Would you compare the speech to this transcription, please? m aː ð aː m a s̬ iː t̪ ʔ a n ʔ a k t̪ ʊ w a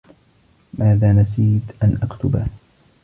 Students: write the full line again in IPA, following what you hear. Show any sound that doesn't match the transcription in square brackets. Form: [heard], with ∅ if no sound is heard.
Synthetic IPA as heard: m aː ð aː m a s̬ iː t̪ ʔ a n ʔ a k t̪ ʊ [b] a